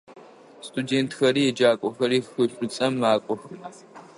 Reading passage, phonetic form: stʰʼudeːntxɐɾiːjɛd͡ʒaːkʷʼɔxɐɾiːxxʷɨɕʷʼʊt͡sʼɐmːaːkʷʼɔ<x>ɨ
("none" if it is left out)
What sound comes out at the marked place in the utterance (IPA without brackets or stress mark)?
x